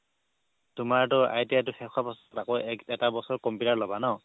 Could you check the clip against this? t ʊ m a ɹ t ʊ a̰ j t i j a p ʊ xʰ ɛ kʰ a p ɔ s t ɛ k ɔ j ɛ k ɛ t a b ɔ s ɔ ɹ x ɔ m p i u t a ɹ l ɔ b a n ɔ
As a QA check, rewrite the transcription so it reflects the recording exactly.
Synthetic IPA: t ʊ m a ɹ t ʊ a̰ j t i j a t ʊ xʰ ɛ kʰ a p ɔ s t a k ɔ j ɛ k ɛ t a b ɔ s ɔ ɹ k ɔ m p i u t a ɹ l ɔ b a n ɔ